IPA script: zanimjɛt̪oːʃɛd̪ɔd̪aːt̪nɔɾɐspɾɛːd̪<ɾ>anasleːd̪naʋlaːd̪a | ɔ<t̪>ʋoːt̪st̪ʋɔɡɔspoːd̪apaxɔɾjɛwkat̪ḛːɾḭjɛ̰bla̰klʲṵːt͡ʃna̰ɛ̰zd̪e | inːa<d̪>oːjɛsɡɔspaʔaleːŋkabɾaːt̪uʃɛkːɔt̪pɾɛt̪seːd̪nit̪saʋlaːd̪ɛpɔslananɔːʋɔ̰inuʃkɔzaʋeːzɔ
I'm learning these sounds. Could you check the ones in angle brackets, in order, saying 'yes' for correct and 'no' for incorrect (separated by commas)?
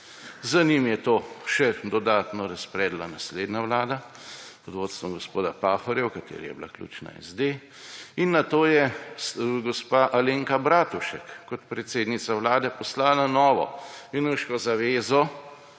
no, no, no